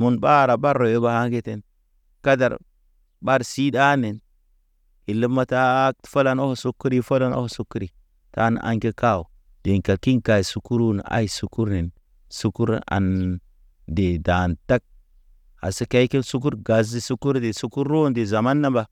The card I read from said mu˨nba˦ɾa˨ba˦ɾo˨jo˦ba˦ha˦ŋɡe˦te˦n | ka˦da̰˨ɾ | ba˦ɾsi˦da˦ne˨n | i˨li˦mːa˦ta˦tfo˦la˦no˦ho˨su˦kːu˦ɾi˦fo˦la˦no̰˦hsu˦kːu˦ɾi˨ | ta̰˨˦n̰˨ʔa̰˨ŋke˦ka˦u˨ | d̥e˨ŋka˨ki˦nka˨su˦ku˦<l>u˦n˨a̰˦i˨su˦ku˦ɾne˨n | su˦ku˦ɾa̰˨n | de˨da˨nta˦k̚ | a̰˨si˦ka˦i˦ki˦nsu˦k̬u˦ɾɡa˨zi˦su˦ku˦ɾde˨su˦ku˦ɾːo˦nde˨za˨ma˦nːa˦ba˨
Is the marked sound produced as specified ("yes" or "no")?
no